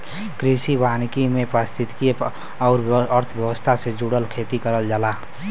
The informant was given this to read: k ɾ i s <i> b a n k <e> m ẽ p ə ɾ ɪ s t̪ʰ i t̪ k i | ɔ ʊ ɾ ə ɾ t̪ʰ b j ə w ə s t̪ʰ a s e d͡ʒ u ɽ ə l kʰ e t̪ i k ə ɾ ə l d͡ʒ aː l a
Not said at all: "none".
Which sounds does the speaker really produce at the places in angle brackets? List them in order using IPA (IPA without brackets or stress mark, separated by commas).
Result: i, i